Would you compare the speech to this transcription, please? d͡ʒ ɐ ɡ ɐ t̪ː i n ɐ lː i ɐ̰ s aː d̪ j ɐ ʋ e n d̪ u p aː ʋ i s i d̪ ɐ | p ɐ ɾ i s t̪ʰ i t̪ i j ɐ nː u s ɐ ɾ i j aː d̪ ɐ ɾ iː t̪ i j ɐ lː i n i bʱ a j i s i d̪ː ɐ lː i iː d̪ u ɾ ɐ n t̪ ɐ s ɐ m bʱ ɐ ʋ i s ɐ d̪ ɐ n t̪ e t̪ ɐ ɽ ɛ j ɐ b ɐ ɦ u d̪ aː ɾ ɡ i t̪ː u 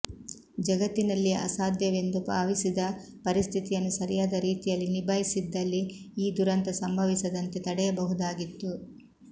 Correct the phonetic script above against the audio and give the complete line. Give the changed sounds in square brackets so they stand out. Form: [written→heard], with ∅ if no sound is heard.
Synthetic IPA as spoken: d͡ʒ ɐ ɡ ɐ t̪ː i n ɐ lː i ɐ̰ s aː d̪ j ɐ ʋ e n d̪ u p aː ʋ i s i d̪ ɐ | p ɐ ɾ i s t̪ʰ i t̪ i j ɐ nː u s ɐ ɾ i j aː d̪ ɐ ɾ iː t̪ i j ɐ lː i n i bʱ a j i s i d̪ː ɐ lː i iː d̪ u ɾ ɐ n t̪ ɐ s ɐ m bʱ ɐ ʋ i s ɐ d̪ ɐ n t̪ e t̪ ɐ ɽ ɛ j ɐ b ɐ ɦ u d̪ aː [ɾ→∅] ɡ i t̪ː u